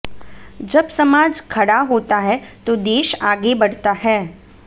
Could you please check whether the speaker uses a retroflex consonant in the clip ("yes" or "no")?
yes